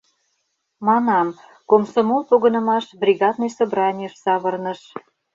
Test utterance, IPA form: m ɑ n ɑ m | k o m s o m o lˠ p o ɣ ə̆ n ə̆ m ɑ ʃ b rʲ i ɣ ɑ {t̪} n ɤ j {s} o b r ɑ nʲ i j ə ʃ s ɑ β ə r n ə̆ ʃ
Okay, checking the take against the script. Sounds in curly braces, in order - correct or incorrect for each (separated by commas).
incorrect, correct